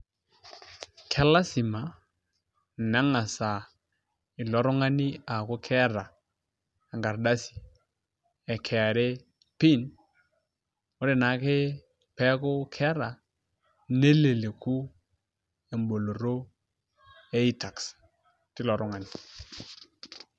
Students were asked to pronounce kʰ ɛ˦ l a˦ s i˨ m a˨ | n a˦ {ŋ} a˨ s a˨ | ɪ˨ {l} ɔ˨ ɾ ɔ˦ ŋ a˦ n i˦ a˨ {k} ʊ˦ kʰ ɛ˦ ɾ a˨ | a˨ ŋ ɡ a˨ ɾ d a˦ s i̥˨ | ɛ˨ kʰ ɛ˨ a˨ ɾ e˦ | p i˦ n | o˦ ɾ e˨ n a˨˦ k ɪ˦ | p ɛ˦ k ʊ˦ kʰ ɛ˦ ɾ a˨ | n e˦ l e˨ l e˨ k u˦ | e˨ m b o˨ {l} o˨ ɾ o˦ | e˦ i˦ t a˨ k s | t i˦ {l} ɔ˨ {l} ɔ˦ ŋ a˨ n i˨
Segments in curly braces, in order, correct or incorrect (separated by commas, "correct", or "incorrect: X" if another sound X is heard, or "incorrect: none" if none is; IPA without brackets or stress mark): correct, correct, correct, correct, correct, incorrect: ɾ